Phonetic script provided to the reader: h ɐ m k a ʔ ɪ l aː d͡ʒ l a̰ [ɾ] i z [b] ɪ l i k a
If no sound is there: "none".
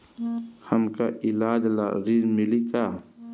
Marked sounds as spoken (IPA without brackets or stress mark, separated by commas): ɾ, m